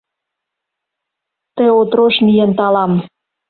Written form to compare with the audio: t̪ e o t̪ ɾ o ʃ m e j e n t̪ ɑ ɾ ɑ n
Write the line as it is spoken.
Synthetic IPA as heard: t̪ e o t̪ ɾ o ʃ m i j e n t̪ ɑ l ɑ m